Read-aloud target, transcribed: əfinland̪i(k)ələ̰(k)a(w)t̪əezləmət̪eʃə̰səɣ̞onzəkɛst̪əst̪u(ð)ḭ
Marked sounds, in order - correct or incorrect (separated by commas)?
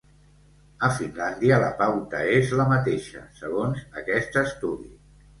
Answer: incorrect, incorrect, correct, correct